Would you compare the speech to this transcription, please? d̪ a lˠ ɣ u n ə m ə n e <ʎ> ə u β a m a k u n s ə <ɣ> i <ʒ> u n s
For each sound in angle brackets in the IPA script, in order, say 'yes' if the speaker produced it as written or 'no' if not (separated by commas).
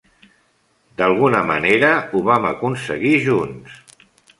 no, yes, yes